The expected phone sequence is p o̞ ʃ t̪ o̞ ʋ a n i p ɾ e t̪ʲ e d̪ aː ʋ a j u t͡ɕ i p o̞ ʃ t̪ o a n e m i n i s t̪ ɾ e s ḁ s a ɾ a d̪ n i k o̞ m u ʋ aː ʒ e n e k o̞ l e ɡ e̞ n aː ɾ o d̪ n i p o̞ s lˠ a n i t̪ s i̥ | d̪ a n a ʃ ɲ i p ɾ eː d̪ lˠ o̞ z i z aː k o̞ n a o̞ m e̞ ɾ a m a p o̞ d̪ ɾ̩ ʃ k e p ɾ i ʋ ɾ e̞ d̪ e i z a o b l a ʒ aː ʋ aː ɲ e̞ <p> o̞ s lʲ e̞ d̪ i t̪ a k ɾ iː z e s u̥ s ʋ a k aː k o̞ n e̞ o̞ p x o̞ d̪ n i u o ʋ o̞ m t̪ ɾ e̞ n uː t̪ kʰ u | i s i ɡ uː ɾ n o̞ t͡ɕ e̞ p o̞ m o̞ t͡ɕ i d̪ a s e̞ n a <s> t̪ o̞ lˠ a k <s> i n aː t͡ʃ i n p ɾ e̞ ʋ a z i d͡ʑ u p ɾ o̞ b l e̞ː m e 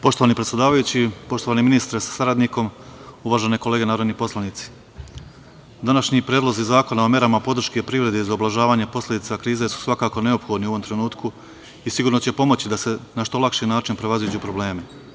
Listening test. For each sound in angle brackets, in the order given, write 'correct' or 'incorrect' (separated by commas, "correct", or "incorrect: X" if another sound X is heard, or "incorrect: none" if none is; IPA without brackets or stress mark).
correct, incorrect: ʃ, incorrect: ʃ